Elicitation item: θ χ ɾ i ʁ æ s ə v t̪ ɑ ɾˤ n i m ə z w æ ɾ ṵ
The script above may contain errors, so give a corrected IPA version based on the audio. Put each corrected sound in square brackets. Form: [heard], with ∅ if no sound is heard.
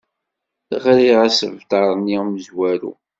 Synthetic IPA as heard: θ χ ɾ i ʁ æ s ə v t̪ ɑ ɾˤ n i m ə z w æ ɾ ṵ